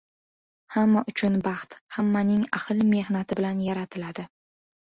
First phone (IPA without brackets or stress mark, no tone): h